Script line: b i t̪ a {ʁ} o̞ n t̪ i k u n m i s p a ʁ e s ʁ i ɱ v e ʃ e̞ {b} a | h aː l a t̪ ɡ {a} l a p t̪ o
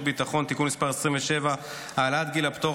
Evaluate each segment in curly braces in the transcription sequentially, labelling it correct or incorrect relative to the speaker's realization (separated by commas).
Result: incorrect, incorrect, incorrect